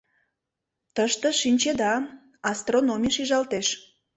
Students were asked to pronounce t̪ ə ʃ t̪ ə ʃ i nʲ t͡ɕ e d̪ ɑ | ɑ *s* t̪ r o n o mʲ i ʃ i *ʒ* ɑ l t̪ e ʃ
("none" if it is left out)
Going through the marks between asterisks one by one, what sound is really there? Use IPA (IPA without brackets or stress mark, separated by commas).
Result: s, ʒ